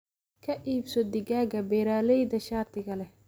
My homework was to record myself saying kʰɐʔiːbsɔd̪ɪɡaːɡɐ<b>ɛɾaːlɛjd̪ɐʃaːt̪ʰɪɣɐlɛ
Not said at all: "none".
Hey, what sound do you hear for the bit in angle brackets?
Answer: b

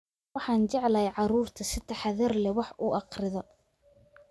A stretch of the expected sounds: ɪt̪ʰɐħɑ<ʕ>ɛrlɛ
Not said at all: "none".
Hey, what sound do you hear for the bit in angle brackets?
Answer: ð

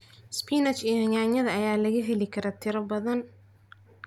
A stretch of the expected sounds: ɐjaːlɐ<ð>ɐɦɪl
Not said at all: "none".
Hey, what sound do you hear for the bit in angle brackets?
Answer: ɣ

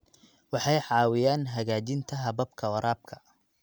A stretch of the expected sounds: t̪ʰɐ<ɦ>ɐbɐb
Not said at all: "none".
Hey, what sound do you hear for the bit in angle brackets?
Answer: ɦ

